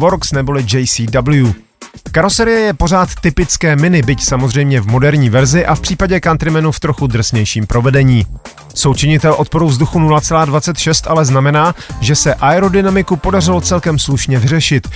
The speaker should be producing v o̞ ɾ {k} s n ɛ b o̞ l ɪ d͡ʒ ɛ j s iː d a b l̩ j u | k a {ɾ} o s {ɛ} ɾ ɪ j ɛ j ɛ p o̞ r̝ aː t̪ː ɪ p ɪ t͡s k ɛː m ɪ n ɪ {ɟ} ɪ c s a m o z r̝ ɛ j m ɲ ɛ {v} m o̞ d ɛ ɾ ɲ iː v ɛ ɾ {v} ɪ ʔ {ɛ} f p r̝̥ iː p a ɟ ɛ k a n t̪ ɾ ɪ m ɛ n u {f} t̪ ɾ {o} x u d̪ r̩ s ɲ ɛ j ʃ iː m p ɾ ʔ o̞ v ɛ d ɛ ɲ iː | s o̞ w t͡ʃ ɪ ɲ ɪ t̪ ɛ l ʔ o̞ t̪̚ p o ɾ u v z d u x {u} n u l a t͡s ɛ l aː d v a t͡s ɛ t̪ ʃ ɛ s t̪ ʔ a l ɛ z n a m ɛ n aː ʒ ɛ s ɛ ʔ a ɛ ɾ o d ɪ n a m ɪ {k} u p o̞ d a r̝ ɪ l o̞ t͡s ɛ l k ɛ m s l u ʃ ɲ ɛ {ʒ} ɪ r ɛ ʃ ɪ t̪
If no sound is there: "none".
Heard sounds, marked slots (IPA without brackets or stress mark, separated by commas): k, ɾ, ɛ, b, v, z, a, f, o, u, k, v